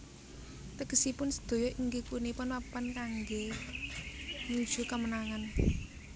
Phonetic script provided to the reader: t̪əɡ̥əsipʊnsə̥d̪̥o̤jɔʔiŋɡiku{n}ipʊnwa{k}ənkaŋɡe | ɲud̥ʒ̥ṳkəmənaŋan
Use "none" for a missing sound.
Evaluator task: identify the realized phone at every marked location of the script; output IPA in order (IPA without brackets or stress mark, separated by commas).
n, p